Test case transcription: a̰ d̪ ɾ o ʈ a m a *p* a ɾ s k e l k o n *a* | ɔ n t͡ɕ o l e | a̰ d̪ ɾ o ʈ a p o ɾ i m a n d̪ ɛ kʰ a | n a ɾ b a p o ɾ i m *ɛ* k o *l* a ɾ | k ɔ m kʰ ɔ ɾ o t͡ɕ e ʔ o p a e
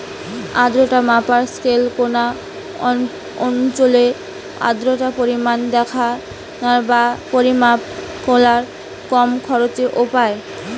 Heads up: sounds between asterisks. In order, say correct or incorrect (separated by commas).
correct, correct, incorrect, correct